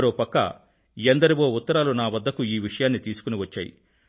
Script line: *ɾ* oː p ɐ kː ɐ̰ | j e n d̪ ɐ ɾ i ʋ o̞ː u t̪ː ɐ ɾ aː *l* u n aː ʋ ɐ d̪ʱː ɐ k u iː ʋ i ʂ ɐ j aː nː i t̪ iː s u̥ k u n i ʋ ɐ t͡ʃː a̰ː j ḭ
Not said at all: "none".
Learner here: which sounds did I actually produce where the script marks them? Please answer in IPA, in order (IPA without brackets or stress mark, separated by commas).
ɾ, l